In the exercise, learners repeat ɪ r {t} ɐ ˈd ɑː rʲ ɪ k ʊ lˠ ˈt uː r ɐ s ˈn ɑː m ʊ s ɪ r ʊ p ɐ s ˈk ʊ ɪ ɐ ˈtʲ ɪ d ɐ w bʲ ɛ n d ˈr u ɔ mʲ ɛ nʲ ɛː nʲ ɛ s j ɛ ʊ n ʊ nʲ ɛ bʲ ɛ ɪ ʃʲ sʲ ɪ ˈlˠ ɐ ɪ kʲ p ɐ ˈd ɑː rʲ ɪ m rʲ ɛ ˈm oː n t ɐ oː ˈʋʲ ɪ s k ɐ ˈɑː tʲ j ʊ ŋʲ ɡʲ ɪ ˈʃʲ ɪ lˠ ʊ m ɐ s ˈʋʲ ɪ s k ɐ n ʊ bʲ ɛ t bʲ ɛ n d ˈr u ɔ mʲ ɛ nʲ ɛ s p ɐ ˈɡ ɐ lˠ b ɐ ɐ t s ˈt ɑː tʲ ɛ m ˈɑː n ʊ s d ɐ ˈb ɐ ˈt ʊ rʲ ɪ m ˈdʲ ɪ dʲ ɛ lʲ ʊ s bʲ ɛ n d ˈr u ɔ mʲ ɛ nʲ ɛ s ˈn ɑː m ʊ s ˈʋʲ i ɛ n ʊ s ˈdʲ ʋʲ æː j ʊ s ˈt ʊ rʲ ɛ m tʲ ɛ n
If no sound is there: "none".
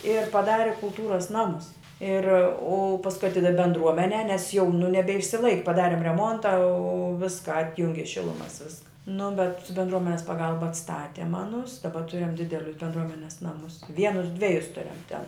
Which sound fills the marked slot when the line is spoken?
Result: p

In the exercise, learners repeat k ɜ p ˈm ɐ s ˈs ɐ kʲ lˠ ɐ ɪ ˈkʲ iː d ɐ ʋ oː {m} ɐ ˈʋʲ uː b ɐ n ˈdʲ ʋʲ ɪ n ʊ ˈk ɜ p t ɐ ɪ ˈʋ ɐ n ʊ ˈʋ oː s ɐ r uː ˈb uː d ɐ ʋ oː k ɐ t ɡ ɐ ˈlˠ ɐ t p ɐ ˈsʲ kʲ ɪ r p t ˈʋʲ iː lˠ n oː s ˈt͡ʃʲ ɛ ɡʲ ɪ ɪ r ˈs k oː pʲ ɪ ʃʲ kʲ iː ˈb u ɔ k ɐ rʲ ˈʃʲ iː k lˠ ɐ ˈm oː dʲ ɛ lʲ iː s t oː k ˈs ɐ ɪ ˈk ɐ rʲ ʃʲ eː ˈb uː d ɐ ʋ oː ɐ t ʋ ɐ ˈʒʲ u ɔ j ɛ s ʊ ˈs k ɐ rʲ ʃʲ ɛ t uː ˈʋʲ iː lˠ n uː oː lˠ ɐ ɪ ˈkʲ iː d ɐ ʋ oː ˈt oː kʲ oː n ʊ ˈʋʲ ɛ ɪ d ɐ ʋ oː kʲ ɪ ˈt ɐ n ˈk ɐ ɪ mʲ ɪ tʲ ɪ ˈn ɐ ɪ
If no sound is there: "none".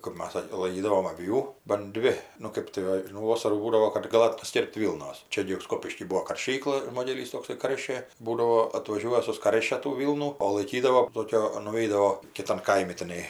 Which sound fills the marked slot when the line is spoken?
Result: m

